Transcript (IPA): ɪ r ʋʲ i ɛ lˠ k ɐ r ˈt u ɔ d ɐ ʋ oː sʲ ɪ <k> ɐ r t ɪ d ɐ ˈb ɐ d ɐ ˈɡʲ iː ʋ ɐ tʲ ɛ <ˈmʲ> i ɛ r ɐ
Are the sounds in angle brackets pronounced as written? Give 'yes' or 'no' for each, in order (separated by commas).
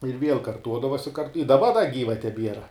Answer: yes, no